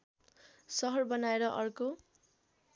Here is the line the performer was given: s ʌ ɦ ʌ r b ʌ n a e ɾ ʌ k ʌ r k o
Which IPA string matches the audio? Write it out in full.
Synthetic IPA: s ʌ ɦ ʌ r b ʌ n a e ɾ ʌ ʔ ʌ r k o